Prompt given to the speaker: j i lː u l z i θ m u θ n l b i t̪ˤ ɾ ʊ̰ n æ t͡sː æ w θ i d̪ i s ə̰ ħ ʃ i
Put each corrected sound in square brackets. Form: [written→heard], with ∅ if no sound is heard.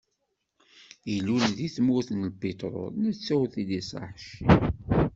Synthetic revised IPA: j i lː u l [z→ð] i θ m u θ n l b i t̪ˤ ɾ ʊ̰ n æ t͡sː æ w θ i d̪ i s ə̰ ħ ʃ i